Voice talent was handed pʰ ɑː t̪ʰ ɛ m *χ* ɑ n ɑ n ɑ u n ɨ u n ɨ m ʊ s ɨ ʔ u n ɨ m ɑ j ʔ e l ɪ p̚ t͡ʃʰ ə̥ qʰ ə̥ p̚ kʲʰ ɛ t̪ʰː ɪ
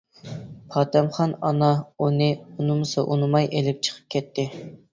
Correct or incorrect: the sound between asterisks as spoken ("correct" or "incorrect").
correct